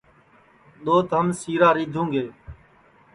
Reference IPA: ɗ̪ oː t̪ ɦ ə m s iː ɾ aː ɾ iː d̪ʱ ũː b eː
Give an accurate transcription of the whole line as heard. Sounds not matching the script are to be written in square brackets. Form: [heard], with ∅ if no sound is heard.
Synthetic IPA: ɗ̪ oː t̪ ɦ ə m s iː ɾ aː ɾ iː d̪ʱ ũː [ɡ] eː